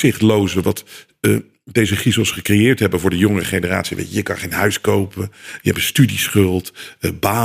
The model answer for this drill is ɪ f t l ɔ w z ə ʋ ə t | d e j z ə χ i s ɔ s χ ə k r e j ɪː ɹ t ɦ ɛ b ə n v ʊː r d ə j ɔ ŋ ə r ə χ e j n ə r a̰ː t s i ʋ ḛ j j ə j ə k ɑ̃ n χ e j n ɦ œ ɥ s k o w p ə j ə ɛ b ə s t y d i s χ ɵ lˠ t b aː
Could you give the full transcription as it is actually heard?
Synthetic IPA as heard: ɪ χ t l o w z ə ʋ ɑ t | d e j z ə χ i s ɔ s χ ə k r e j ɪː ɹ t ɦ ɛ b ə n v ʊː ɹ d ə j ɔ ŋ ə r ə χ e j n ə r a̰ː t s i ʋ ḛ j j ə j ə k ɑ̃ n χ e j n ɦ œ ɥ s k o w p ə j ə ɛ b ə s t y d i s χ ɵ lˠ t b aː